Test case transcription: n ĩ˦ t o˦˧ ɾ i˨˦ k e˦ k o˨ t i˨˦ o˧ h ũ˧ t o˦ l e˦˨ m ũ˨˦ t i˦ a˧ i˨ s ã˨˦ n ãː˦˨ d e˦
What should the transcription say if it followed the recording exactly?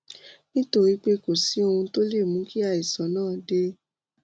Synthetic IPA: n ĩ˦ t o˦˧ ɾ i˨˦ k͡p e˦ k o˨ s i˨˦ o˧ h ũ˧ t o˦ l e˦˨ m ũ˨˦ k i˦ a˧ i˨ s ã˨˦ n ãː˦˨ d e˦